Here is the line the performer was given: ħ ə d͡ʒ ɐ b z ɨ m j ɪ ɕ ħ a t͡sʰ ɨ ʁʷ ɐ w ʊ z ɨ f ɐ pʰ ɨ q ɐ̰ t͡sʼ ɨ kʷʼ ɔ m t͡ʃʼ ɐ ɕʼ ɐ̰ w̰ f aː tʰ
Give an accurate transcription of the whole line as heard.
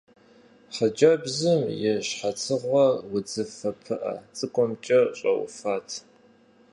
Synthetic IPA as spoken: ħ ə d͡ʒ ɐ b z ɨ m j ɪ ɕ ħ a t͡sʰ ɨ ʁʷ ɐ w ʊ d͡z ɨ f ɐ pʰ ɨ ʔ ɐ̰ t͡sʼ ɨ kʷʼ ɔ m t͡ʃʼ ɐ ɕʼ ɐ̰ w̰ f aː tʰ